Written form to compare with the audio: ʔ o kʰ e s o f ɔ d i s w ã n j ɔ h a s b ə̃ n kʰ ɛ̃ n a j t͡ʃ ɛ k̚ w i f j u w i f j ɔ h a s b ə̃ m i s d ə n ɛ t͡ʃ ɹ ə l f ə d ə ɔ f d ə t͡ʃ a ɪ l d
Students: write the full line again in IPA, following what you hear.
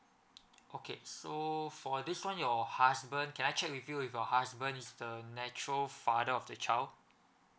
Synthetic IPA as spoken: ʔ o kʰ e s o f ɔ d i s w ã n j ɔ h a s b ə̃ n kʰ ɛ̃ n a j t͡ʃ ɛ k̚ w i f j u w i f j ɔ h a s b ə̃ n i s d ə n ɛ t͡ʃ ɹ ə l f a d ə ɔ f d ə t͡ʃ a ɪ l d